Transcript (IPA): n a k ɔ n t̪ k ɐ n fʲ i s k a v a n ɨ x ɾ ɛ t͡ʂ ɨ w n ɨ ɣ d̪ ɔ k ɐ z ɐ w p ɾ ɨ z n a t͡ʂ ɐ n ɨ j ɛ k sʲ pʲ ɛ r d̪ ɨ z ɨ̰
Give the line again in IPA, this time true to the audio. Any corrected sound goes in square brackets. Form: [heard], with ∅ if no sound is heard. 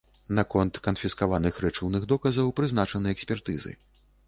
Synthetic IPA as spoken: n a k ɔ n t̪ k ɐ n fʲ i s k a v a n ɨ x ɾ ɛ t͡ʂ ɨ w n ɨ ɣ d̪ ɔ k ɐ z ɐ w p ɾ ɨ z n a t͡ʂ ɐ n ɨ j ɛ k sʲ pʲ ɛ r [t̪] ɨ z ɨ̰